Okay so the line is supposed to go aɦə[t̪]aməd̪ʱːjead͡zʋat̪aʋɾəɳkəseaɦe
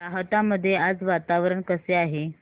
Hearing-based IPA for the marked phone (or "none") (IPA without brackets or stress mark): t̪